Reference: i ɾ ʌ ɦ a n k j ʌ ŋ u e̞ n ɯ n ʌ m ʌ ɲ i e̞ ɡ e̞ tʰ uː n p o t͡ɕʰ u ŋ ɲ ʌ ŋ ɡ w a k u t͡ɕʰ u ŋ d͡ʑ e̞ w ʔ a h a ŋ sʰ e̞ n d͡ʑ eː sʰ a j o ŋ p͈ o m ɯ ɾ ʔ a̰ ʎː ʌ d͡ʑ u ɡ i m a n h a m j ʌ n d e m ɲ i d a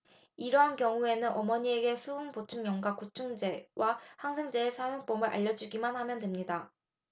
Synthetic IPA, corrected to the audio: i ɾ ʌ ɦ a n k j ʌ ŋ u e̞ n ɯ n ʌ m ʌ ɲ i e̞ ɡ e̞ sʰ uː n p o t͡ɕʰ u ŋ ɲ ʌ ŋ ɡ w a k u t͡ɕʰ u ŋ d͡ʑ e̞ w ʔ a h a ŋ sʰ e̞ ŋ d͡ʑ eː sʰ a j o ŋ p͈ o m ɯ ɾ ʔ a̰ ʎː ʌ d͡ʑ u ɡ i m a n h a m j ʌ n d e m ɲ i d a